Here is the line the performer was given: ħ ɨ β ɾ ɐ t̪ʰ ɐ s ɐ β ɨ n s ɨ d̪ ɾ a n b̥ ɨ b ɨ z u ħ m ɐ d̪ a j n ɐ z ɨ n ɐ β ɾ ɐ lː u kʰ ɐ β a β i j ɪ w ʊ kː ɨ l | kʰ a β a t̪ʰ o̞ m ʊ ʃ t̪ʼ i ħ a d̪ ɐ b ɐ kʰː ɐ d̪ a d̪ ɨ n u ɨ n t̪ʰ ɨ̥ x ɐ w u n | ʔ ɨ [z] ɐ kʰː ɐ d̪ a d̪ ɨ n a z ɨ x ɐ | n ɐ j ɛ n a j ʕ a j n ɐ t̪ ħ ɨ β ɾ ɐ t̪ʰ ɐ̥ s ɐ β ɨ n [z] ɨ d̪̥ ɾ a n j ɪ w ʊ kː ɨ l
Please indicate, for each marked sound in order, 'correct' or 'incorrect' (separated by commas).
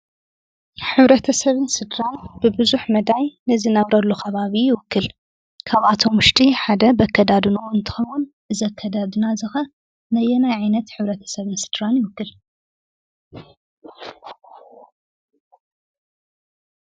correct, incorrect